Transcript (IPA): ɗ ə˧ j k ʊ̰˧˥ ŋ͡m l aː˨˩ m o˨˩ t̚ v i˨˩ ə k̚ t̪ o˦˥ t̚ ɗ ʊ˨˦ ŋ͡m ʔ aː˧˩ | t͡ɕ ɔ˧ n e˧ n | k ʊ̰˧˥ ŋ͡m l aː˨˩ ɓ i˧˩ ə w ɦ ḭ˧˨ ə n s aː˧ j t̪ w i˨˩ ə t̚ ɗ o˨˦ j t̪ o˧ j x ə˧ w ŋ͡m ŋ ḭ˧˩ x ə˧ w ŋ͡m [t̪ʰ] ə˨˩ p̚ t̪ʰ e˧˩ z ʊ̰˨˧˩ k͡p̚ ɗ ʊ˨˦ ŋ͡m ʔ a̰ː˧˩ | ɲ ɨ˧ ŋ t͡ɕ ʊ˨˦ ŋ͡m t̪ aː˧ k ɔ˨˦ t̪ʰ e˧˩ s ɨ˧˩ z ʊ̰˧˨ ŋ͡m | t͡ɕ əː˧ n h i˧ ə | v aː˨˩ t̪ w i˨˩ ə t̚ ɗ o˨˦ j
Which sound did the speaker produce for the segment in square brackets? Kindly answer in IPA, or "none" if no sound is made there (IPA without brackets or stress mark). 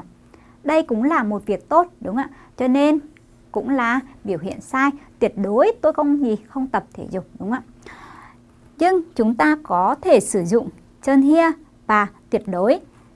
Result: t̪